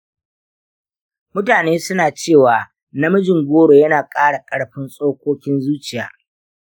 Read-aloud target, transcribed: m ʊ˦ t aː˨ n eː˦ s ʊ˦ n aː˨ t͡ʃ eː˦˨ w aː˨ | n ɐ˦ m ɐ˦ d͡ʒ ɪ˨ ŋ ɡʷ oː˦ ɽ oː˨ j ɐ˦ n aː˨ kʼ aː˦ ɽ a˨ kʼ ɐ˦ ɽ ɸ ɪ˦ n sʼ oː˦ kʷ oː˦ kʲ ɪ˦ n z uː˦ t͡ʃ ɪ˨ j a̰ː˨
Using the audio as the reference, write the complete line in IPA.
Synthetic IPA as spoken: m ʊ˦ t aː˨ n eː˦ s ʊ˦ n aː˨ t͡ʃ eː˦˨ w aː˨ | n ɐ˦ m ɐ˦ d͡ʒ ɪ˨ ŋ ɡʷ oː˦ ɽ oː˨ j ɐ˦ n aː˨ kʼ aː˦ ɽ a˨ kʼ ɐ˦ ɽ ɸ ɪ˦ n sʼ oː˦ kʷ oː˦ kʲ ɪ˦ n z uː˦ t͡ʃ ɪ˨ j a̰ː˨